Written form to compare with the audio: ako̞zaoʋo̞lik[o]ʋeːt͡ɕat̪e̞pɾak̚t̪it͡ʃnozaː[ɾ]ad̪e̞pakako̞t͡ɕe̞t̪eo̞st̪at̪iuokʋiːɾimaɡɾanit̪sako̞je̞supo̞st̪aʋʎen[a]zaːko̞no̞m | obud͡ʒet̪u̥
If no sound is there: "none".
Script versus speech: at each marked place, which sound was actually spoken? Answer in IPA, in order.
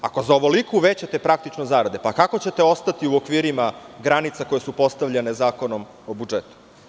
u, ɾ, e

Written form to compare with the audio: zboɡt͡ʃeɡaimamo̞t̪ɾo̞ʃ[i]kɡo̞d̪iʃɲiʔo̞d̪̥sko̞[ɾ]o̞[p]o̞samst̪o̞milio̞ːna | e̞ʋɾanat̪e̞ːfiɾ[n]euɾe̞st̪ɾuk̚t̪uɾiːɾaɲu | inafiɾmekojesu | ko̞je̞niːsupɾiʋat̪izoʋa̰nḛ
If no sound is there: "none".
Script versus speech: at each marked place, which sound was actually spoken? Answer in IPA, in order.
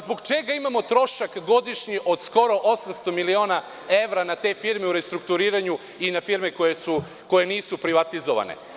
a, ɾ, ʔ, m

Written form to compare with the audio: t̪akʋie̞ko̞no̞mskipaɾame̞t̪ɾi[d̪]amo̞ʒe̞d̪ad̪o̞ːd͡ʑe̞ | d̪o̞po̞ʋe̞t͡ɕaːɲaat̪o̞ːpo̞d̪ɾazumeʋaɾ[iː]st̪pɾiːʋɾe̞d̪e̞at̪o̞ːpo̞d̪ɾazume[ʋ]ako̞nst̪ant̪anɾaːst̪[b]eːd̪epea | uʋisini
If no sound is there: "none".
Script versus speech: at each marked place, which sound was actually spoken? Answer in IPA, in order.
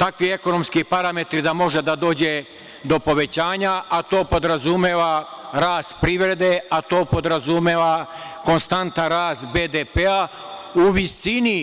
d̪, aː, ʋ, b

